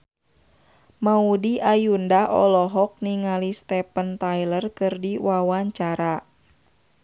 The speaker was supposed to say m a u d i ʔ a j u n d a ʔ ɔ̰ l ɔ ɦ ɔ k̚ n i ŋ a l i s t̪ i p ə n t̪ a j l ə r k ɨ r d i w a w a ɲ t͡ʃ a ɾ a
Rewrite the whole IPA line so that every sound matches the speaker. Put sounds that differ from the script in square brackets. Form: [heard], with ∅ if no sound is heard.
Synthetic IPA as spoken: m a u d i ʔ a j u n d a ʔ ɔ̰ l ɔ ɦ ɔ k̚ n i ŋ a l i s t̪ [ɛ] p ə n t̪ a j l ə r k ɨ r d i w a w a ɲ t͡ʃ a ɾ a

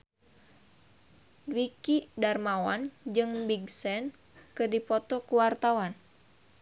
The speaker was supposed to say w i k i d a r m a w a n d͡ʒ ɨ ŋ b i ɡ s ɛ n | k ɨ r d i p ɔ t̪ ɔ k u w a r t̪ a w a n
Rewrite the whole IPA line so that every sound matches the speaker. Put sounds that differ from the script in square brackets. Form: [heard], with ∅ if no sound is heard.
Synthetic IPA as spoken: w i k i d a r m a w a n d͡ʒ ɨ ŋ b i ɡ s ɛ n | k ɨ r d i p ɔ t̪ ɔ k u w a r t̪ a w a n

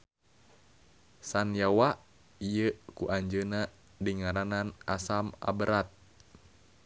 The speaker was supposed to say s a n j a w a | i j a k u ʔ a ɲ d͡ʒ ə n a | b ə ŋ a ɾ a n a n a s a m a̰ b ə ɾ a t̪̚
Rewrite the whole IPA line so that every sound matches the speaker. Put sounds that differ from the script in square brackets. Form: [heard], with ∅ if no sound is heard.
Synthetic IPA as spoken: s a n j a w a | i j [ə] k u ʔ a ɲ d͡ʒ ə n a | [d] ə ŋ a ɾ a n a n a s a m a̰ b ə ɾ a t̪̚

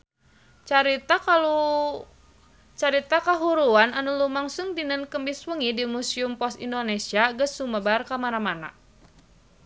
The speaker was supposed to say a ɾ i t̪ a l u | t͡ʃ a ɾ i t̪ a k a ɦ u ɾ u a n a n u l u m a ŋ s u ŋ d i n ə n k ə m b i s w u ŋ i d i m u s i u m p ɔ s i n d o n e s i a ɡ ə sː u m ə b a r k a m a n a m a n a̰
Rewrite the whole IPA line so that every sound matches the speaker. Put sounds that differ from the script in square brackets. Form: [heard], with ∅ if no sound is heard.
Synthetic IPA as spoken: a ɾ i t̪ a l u | t͡ʃ a ɾ i t̪ a k a ɦ u ɾ u a n a n u l u m a ŋ s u ŋ d i n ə n k ə m b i s w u ŋ i d i m u s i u m p ɔ s i n d o n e s i a ɡ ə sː u m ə b a r k a m a n a m a n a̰

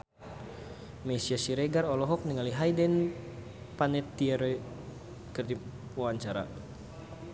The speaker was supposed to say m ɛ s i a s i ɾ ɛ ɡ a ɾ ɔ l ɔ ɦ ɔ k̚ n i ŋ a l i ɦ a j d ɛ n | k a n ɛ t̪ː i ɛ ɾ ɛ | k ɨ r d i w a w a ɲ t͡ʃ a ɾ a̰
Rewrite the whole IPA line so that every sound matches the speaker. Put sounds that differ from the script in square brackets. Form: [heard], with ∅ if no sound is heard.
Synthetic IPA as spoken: m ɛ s i a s i ɾ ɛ ɡ a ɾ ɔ l ɔ ɦ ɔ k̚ n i ŋ a l i ɦ a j d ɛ n | [p] a n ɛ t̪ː i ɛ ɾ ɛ | k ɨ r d i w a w a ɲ t͡ʃ a ɾ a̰

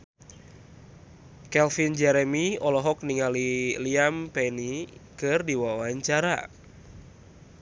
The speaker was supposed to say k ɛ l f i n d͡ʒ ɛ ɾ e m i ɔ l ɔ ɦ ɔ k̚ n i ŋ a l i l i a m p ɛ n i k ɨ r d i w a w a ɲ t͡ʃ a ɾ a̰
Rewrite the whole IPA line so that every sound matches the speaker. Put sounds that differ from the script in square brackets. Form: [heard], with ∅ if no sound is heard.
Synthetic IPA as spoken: k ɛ l f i n d͡ʒ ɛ ɾ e m i ɔ l ɔ ɦ ɔ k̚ n i ŋ a l i l i a m p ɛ n i k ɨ r d i w a w a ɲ t͡ʃ a ɾ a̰

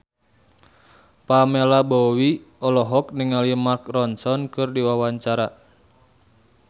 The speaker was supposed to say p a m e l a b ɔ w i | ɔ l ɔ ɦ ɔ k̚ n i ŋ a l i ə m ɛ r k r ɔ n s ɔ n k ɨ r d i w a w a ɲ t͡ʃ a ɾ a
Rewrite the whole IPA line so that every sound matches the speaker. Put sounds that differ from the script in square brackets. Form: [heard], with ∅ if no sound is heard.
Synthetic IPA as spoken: p a m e l a b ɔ w i | ɔ l ɔ ɦ ɔ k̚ n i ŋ a l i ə m [a] r k r ɔ n s ɔ n k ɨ r d i w a w a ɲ t͡ʃ a ɾ a

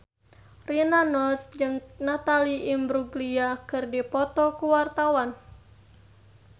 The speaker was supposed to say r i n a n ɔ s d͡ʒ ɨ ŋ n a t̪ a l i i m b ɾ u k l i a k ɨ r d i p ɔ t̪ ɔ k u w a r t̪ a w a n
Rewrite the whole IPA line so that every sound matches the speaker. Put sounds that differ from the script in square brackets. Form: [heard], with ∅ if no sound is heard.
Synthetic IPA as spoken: r i n a n ɔ s d͡ʒ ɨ ŋ n a t̪ a l i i m b ɾ u [ɡ] l i a k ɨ r d i p ɔ t̪ ɔ k u w a r t̪ a w a n

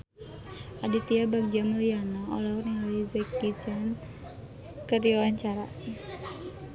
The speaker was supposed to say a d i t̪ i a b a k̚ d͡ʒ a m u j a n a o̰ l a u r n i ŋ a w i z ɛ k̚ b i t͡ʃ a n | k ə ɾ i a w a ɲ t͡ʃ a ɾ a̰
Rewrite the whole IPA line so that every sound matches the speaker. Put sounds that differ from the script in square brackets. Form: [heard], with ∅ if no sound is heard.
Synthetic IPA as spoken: a d i t̪ i a b a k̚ d͡ʒ a m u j a n a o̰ l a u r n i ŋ a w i z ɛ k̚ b i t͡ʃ a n | k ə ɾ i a w a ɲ t͡ʃ a ɾ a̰

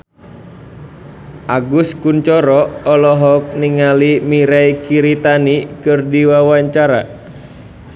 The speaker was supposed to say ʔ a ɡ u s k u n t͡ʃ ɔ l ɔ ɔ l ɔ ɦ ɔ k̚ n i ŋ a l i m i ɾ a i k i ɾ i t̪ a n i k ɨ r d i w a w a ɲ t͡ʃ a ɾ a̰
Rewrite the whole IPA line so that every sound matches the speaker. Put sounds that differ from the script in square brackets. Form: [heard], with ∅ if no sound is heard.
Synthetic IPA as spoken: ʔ a ɡ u s k u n t͡ʃ ɔ [ɾ] ɔ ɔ l ɔ ɦ ɔ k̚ n i ŋ a l i m i ɾ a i k i ɾ i t̪ a n i k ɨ r d i w a w a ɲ t͡ʃ a ɾ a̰

